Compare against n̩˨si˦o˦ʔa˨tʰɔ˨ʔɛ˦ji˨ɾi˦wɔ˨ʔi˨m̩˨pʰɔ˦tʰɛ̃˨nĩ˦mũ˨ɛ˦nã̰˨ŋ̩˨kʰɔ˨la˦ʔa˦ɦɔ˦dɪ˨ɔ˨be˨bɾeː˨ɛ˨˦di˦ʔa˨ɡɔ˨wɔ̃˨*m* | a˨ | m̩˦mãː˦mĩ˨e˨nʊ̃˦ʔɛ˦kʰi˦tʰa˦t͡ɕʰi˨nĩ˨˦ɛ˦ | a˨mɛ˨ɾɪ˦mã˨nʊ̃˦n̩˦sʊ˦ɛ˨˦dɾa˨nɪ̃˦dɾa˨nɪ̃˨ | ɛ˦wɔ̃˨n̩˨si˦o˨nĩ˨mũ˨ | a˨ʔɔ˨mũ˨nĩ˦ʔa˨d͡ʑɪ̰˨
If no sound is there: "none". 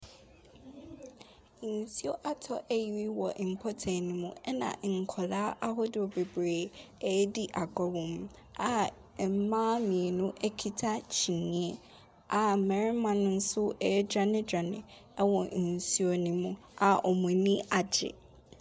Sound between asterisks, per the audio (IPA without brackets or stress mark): m